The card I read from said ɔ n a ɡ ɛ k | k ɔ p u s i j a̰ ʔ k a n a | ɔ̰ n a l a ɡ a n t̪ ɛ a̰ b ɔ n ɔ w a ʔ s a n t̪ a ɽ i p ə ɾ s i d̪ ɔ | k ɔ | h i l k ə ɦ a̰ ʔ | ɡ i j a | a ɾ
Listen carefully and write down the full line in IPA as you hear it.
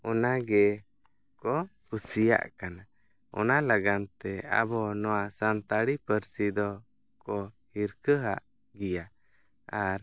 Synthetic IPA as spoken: ɔ n a ɡ ɛ | k ɔ p u s i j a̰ ʔ k a n a | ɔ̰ n a l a ɡ a n t̪ ɛ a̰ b ɔ n ɔ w a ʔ s a n t̪ a ɽ i p ə ɾ s i d̪ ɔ | k ɔ | h i ɾ k ə ɦ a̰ ʔ | ɡ i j a | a ɾ